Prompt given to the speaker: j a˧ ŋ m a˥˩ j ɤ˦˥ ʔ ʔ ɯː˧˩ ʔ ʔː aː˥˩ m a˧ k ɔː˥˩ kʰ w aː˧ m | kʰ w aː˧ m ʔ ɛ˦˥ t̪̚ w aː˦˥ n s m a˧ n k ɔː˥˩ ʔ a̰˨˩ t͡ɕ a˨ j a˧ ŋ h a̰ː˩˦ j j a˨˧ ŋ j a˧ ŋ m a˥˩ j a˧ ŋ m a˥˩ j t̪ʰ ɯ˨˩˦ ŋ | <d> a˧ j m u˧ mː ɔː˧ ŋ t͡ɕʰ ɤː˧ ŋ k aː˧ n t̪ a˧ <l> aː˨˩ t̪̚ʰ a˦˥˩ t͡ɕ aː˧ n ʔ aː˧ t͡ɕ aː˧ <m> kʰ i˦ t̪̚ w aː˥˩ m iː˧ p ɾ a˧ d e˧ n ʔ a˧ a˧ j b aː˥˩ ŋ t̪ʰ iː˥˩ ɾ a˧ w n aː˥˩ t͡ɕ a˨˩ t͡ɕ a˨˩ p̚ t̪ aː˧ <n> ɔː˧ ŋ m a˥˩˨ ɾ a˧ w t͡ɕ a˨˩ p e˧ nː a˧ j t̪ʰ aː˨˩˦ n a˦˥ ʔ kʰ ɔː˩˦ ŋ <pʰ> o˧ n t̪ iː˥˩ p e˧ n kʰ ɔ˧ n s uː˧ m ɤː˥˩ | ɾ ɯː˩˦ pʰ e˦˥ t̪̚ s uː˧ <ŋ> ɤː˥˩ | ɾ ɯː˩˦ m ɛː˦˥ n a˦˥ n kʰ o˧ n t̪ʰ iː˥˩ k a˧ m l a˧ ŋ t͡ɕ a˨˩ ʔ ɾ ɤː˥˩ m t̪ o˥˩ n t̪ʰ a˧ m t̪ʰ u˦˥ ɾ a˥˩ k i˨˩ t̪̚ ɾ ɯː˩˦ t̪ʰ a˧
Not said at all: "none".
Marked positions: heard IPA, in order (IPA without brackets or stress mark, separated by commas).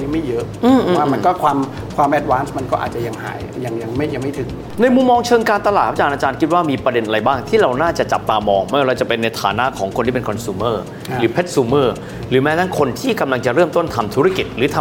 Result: n, l, n, m, kʰ, m